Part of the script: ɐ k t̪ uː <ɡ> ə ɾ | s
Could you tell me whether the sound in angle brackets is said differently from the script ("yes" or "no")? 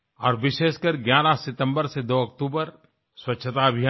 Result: yes